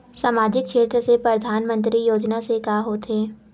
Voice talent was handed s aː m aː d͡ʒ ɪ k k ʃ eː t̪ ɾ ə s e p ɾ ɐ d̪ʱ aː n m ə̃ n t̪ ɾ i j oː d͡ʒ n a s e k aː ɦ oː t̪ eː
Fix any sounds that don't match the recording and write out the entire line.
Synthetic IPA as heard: s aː m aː d͡ʒ ɪ k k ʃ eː t̪ ɾ ə s e p ɾ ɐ d̪ʱ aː n m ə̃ n t̪ ɾ i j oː d͡ʒ n a s e k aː ɦ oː t̪ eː